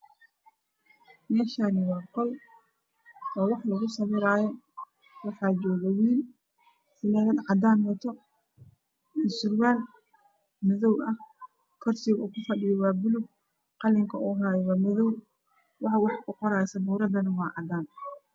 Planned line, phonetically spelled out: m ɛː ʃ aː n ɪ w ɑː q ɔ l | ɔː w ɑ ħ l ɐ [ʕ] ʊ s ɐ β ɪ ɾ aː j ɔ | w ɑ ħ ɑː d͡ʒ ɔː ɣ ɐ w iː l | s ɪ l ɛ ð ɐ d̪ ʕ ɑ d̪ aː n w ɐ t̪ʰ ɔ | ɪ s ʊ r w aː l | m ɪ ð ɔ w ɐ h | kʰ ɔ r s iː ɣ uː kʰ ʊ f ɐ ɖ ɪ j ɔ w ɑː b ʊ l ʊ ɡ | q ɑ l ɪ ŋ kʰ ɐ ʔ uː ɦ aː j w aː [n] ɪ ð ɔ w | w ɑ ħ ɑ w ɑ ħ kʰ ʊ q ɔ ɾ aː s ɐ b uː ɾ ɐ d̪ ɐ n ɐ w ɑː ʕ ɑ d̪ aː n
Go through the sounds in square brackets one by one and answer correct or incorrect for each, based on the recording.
incorrect: ɣ, incorrect: m

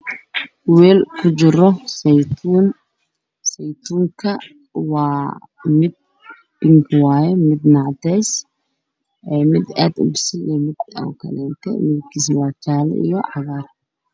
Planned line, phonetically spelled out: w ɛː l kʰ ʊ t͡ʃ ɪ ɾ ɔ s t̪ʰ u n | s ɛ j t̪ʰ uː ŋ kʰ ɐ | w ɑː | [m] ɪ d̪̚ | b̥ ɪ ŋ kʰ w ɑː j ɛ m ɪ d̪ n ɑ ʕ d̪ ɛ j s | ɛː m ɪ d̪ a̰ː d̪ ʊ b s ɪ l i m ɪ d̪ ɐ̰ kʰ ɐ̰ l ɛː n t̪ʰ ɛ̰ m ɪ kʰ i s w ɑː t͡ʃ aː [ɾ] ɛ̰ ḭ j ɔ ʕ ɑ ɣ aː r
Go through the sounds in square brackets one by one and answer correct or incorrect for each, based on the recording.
correct, incorrect: l

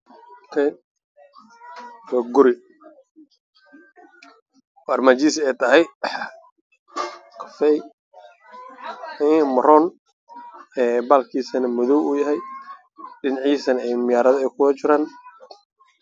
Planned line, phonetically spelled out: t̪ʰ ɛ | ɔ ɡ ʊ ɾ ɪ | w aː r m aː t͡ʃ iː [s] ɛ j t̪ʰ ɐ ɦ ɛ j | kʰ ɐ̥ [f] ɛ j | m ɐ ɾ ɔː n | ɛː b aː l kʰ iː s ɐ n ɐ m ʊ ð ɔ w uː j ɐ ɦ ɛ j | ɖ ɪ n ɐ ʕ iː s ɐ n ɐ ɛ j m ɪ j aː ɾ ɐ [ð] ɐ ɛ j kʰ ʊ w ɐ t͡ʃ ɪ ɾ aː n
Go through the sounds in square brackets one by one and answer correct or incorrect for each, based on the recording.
correct, correct, correct

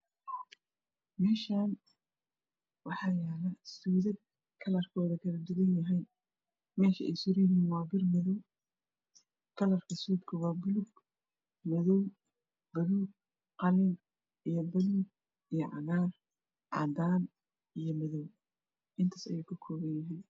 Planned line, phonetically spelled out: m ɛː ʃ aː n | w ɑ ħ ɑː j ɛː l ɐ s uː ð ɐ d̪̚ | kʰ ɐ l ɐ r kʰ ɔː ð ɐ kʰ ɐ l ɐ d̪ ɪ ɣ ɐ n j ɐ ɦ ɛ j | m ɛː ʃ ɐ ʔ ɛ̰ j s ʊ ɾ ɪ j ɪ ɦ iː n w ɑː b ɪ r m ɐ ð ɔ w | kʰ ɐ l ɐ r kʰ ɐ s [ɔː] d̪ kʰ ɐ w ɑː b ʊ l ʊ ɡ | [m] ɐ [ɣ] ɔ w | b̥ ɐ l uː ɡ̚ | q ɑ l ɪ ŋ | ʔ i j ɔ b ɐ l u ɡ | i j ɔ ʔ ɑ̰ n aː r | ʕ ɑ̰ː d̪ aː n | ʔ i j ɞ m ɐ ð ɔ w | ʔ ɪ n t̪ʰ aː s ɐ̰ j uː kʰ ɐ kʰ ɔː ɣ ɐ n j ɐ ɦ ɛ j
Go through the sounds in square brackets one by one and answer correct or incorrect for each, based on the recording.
incorrect: uː, correct, incorrect: ð

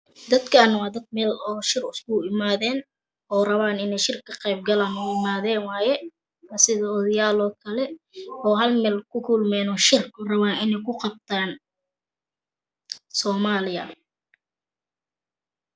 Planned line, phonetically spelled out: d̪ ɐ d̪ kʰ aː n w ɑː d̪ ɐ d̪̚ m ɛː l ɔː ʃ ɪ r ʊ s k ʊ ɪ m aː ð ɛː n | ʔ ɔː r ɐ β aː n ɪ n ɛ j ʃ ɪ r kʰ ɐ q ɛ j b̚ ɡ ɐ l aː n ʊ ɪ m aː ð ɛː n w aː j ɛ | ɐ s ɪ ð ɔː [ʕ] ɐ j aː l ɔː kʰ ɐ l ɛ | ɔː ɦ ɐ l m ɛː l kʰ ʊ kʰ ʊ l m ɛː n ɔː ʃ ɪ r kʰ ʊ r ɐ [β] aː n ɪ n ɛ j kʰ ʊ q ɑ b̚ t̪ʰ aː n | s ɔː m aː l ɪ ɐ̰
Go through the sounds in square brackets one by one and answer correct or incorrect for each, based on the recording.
incorrect: ð, correct

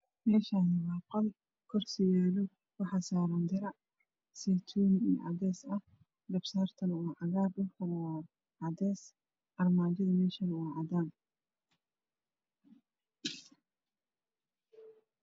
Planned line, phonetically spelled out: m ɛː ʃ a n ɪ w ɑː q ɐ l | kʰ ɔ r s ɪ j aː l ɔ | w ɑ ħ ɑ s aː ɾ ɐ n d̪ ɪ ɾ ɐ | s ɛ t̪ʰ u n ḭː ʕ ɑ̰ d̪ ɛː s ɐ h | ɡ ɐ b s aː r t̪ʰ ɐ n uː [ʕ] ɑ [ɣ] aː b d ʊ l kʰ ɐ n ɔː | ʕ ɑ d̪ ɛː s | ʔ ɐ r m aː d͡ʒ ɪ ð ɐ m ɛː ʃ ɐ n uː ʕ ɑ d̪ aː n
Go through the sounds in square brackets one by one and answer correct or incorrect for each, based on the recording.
correct, correct

